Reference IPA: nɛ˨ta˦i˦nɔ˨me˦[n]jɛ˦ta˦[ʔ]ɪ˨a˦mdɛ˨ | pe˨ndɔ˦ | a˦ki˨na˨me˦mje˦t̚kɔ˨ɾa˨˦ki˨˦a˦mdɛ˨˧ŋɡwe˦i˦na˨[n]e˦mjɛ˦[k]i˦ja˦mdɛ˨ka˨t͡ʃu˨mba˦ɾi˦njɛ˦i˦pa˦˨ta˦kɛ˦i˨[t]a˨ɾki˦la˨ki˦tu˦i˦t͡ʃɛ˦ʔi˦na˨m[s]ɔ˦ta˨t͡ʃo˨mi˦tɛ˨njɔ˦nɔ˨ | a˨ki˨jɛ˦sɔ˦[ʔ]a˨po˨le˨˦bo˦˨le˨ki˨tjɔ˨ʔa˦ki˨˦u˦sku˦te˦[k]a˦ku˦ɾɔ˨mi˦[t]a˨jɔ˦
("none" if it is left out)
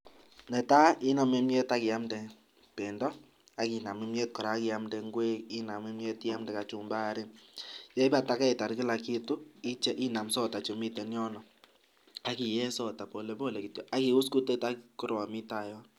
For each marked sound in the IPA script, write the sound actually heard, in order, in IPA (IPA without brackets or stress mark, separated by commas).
m, k, m, t, t, s, t, t, t